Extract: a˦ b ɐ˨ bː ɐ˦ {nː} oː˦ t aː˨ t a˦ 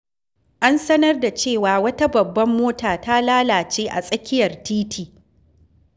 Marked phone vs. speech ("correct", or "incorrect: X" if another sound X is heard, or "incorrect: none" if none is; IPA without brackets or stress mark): incorrect: mː